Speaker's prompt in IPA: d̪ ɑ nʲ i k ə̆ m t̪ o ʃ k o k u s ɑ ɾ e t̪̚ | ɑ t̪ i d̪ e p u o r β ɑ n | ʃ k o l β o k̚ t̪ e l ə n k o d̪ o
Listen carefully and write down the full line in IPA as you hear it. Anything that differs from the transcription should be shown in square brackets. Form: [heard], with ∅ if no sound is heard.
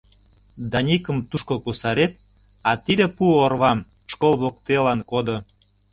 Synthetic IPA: d̪ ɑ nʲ i k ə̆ m t̪ [u] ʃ k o k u s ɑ ɾ e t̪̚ | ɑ t̪ i d̪ e p u o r β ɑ [m] | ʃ k o l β o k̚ t̪ e l [ɑ] n k o d̪ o